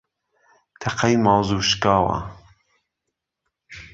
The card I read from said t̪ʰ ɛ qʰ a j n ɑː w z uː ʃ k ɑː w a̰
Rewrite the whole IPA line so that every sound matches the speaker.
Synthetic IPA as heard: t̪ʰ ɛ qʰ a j m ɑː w z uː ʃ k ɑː w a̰